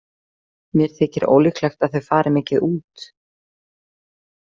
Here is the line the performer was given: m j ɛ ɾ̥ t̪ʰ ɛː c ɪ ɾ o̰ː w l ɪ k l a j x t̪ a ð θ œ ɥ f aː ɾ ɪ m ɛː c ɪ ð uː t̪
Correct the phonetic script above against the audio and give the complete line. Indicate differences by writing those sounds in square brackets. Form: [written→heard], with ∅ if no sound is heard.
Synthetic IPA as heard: m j ɛ ɾ̥ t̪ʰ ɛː c ɪ ɾ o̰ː w l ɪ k l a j x t̪ a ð θ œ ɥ f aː ɾ ɪ m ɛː c ɪ ð uː t̪